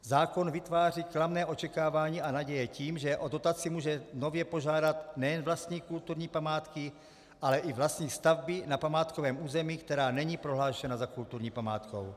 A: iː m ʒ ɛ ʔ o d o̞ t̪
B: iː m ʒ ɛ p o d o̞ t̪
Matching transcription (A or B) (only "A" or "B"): A